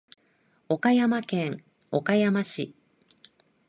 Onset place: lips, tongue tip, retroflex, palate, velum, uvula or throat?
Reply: velum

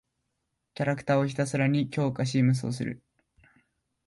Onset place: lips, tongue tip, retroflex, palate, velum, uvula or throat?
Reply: velum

